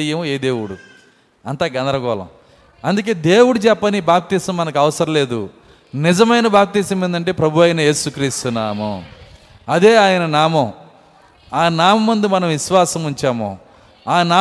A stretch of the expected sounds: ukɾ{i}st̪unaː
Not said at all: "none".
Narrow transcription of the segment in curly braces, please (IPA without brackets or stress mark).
iː